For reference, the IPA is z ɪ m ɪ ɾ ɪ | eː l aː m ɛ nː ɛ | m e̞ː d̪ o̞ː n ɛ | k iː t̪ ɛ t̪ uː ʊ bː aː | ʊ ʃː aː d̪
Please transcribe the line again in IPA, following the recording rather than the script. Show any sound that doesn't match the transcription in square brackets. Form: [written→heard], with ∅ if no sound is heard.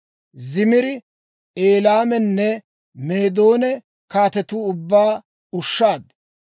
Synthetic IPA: z ɪ m ɪ ɾ ɪ | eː l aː m ɛ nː ɛ | m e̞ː d̪ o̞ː n ɛ | k [iː→aː] t̪ ɛ t̪ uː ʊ bː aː | ʊ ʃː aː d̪